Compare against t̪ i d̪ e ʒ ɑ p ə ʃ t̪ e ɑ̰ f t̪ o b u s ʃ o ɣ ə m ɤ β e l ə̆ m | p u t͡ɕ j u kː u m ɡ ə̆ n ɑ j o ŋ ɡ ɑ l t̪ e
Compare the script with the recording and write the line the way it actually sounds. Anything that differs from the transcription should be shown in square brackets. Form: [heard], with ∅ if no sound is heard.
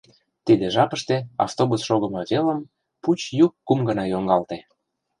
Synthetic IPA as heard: t̪ i d̪ e ʒ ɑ p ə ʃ t̪ e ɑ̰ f t̪ o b u s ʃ o ɣ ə m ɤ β e l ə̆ m | p u t͡ɕ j u kː u m ɡ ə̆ n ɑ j o ŋ ɡ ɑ l t̪ e